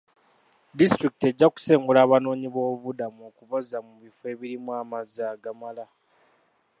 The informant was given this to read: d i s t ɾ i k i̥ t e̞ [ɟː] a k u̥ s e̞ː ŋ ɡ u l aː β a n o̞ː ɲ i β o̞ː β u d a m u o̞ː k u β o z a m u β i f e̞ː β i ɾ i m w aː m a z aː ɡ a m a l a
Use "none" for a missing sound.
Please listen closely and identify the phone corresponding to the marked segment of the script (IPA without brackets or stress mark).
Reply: ɟː